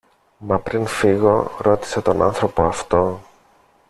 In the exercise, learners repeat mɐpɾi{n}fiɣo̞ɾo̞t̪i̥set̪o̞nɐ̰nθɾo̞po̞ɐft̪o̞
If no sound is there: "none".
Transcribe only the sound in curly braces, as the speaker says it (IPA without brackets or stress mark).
n